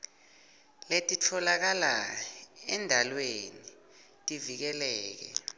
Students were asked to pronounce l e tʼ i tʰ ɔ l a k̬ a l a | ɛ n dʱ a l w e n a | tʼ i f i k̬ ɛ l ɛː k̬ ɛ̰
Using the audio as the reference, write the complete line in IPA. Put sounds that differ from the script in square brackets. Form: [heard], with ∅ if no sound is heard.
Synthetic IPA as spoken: l e tʼ i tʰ ɔ l a k̬ a l a | ɛ n dʱ a l w e n [i] | tʼ i [v] i k̬ ɛ l ɛː k̬ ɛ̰